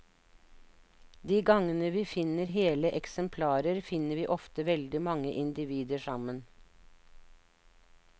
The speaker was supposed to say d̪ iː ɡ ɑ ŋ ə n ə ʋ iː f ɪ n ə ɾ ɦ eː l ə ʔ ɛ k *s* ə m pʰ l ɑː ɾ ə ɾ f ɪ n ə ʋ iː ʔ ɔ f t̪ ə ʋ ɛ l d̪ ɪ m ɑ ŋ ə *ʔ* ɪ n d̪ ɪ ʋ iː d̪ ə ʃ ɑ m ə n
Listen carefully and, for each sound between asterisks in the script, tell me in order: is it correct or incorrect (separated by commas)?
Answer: correct, correct